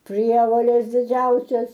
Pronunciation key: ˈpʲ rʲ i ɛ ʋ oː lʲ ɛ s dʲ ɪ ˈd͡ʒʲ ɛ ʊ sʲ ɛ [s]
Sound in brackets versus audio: correct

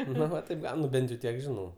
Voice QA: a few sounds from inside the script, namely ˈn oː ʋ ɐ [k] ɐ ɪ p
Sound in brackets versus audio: incorrect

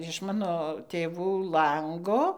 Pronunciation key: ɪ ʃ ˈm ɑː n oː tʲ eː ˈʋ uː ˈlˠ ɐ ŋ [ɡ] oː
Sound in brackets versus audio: correct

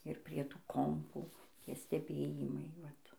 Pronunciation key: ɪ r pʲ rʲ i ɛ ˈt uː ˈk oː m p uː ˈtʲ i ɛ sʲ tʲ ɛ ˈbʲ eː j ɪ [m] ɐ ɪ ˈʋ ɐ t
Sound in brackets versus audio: correct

